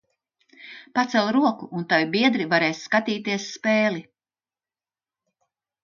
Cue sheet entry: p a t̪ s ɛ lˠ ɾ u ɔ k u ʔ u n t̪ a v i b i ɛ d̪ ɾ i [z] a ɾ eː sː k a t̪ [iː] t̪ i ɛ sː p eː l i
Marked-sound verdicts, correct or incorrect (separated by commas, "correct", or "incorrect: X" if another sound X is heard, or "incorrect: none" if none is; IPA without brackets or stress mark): incorrect: v, correct